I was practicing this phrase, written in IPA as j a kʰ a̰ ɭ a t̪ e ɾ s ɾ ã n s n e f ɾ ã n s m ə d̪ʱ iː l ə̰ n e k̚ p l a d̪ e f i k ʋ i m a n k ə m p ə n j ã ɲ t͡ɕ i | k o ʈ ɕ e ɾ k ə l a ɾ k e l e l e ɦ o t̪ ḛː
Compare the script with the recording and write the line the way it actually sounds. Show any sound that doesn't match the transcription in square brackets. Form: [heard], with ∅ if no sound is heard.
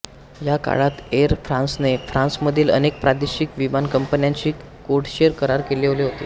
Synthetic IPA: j a [k] a̰ ɭ a t̪ e ɾ [f] ɾ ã n s n e f ɾ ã n s m ə d̪ʱ iː l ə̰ n e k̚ p [ɾ] a d̪ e [ɕ] i k ʋ i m a n k ə m p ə n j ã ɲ t͡ɕ [iː] | k o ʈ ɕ e ɾ k ə [ɾ] a ɾ k e l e l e ɦ o t̪ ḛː